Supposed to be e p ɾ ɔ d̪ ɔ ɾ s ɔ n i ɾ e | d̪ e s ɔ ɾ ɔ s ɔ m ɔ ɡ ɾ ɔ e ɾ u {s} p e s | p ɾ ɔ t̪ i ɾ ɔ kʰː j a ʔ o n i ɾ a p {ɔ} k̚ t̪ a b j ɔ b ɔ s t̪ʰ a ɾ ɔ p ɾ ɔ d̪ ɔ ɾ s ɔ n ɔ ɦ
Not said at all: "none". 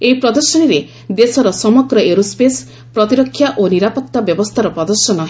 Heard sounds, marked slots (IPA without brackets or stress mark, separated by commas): s, ɔ